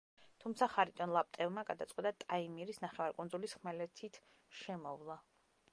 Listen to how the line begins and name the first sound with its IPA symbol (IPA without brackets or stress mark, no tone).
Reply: t̪ʰ